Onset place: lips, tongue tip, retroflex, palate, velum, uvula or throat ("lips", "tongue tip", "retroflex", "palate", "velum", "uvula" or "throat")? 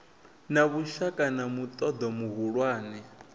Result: tongue tip